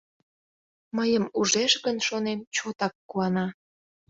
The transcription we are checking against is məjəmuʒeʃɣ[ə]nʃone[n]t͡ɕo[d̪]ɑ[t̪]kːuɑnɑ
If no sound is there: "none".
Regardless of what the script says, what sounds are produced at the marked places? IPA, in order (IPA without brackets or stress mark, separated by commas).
ə, m, t̪, none